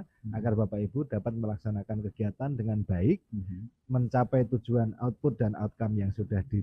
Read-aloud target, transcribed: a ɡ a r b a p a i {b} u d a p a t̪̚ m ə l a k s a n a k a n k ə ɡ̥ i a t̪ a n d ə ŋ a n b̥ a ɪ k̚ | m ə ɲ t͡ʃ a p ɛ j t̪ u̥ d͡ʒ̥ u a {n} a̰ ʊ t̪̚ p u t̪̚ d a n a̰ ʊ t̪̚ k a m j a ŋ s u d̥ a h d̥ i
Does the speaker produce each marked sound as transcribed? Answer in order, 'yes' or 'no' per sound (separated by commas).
yes, yes